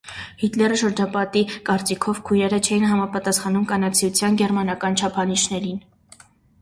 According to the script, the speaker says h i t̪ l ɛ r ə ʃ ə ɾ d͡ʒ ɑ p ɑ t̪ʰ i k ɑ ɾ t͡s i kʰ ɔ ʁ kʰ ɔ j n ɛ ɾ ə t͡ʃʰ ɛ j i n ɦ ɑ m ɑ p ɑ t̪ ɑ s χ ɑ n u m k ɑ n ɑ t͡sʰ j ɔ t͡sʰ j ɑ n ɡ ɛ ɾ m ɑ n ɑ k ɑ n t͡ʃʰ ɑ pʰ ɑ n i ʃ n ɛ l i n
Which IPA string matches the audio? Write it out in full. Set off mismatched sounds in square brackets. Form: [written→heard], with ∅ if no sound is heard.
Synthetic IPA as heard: h i t̪ l ɛ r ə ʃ ə ɾ d͡ʒ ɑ p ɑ [t̪ʰ→t̪] i k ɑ ɾ t͡s i kʰ ɔ [ʁ→v] kʰ [ɔ→u] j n ɛ ɾ ə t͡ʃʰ ɛ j i n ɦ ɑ m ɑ p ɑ t̪ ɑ s χ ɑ n u m k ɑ n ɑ t͡sʰ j [ɔ→u] t͡sʰ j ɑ n ɡ ɛ ɾ m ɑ n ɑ k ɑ n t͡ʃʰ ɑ pʰ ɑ n i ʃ n ɛ [l→ɾ] i n

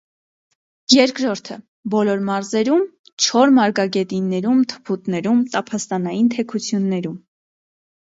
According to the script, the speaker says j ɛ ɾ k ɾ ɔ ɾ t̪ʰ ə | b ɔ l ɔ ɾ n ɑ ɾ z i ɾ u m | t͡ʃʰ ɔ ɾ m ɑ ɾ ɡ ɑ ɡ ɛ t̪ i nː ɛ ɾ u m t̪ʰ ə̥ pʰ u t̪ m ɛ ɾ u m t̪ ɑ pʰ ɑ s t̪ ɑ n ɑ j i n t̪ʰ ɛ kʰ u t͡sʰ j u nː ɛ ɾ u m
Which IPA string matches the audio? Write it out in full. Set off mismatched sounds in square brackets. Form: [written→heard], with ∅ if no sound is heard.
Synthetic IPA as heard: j ɛ ɾ k ɾ ɔ ɾ t̪ʰ ə | b ɔ l ɔ ɾ [n→m] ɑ ɾ z [i→ɛ] ɾ u m | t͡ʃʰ ɔ ɾ m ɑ ɾ ɡ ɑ ɡ ɛ t̪ i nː ɛ ɾ u m t̪ʰ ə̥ pʰ u t̪ [m→n] ɛ ɾ u m t̪ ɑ pʰ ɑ s t̪ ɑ n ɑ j i n t̪ʰ ɛ kʰ u t͡sʰ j u nː ɛ ɾ u m

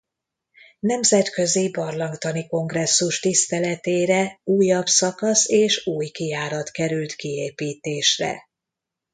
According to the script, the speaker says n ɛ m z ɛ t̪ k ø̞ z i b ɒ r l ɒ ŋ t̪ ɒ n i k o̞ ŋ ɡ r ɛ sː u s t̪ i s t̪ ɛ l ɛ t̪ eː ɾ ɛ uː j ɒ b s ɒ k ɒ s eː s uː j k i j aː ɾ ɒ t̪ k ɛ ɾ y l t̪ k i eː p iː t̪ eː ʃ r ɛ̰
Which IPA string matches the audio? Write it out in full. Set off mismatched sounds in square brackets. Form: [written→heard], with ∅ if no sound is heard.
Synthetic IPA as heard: n ɛ m z ɛ t̪ k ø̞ z i b ɒ r l ɒ ŋ t̪ ɒ n i k o̞ ŋ ɡ r ɛ sː u [s→ʃ] t̪ i s t̪ ɛ l ɛ t̪ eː ɾ ɛ uː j ɒ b s ɒ k ɒ s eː [s→ʃ] uː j k i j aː ɾ ɒ t̪ k ɛ ɾ y l t̪ k i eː p iː t̪ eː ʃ r ɛ̰

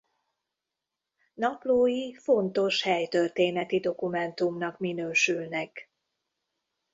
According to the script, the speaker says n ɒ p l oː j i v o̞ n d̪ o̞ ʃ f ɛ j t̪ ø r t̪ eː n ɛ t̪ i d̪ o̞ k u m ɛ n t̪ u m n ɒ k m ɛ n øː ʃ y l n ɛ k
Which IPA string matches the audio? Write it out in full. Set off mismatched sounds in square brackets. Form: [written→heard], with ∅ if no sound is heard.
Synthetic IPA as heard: n ɒ p l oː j i [v→f] o̞ n [d̪→t̪] o̞ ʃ [f→h] ɛ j t̪ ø r t̪ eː n ɛ t̪ i d̪ o̞ k u m ɛ n t̪ u m n ɒ k m [ɛ→i] n øː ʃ y l n ɛ k

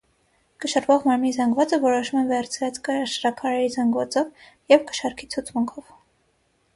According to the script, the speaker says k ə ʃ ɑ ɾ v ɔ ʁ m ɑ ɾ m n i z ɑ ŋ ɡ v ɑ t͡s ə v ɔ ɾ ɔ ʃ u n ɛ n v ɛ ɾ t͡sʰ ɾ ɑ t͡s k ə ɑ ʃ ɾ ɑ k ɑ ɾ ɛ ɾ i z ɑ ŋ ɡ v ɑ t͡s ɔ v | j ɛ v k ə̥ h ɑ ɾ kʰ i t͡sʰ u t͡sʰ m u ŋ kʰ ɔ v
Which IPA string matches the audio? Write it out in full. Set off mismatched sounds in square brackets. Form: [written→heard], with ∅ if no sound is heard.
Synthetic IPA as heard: k ə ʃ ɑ ɾ v ɔ ʁ m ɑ ɾ m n i z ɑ ŋ ɡ v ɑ t͡s ə v ɔ ɾ ɔ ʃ u [n→m] ɛ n v ɛ ɾ t͡sʰ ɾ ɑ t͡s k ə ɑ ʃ ɾ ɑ [k→kʰ] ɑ ɾ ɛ ɾ i z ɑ ŋ ɡ v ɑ t͡s ɔ v | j ɛ v k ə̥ [h→ʃ] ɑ ɾ kʰ i t͡sʰ u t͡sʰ m u ŋ kʰ ɔ v

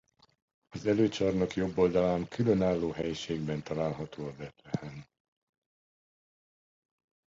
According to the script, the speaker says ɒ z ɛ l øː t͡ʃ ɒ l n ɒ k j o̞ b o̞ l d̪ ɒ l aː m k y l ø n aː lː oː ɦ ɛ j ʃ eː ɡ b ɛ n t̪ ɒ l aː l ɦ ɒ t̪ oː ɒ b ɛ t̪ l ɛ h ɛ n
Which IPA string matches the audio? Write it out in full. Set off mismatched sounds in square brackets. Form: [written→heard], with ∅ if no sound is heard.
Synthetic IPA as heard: ɒ z ɛ l øː t͡ʃ ɒ [l→r] n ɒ k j o̞ [b→bː] o̞ l d̪ ɒ l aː m k y l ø n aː lː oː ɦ ɛ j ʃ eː ɡ b ɛ n t̪ ɒ l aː l ɦ ɒ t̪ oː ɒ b ɛ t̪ l ɛ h ɛ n

